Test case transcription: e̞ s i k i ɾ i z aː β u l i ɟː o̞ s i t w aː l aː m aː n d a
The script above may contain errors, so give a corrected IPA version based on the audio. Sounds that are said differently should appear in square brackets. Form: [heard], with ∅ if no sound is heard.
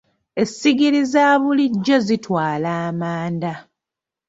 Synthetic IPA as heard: e̞ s i [ɡ] i ɾ i z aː β u l i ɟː o̞ [z] i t w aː l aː m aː n d a